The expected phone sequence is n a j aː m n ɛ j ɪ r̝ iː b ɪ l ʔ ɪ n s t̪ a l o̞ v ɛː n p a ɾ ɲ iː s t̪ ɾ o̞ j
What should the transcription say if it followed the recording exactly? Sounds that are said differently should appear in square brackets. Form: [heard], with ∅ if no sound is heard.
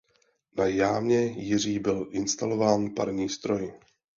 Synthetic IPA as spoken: n a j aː m [ɲ] ɛ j ɪ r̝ iː b ɪ l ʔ ɪ n s t̪ a l o̞ v [aː] n p a ɾ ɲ iː s t̪ ɾ o̞ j

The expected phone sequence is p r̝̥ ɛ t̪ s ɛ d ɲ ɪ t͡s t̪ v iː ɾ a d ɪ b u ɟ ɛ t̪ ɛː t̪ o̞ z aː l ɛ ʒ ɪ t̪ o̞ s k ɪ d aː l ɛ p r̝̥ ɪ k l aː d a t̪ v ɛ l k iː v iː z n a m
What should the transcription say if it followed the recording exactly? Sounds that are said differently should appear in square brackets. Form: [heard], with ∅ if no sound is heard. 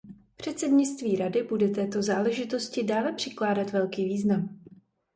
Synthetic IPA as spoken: p r̝̥ ɛ t̪ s ɛ d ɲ ɪ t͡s t̪ v iː ɾ a d ɪ b u [d] ɛ t̪ ɛː t̪ o̞ z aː l ɛ ʒ ɪ t̪ o̞ s [c] ɪ d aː l ɛ p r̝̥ ɪ k l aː d a t̪ v ɛ l k iː v iː z n a m

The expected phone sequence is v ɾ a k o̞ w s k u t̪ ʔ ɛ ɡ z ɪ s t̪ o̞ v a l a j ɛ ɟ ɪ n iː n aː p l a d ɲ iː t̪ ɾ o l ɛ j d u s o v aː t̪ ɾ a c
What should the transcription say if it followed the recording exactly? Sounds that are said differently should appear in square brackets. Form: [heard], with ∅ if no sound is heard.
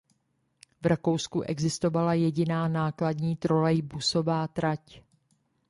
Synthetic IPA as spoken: v ɾ a k o̞ w s k u [∅] ʔ ɛ ɡ z ɪ s t̪ o̞ v a l a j ɛ ɟ ɪ n [aː] n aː [k] l a d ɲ iː t̪ ɾ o l ɛ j [b] u s o v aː t̪ ɾ a c

